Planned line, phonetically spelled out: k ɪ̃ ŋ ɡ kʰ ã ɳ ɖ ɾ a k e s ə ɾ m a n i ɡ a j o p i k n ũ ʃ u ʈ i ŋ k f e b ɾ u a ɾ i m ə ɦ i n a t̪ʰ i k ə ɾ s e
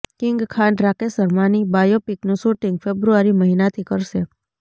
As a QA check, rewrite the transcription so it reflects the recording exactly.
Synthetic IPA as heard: k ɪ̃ ŋ ɡ kʰ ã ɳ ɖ ɾ a k e s ə ɾ m a n i b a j o p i k n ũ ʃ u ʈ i ŋ ɡ f e b ɾ u a ɾ i m ə ɦ i n a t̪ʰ i k ə ɾ ʃ e